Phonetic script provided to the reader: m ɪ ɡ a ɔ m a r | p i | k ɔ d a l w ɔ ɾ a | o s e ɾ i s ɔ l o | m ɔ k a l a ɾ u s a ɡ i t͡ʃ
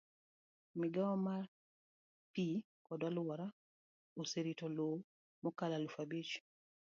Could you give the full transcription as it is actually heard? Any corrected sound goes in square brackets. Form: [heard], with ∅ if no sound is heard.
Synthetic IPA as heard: m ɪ ɡ a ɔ m a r | p i | k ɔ d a l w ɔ ɾ a | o s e ɾ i [t] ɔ l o | m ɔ k a l a [l] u [f] a [b] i t͡ʃ